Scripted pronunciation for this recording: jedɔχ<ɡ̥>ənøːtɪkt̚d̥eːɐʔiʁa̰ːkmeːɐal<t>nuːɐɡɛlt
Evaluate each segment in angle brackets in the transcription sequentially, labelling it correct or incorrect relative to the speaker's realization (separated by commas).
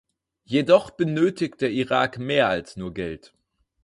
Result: incorrect, incorrect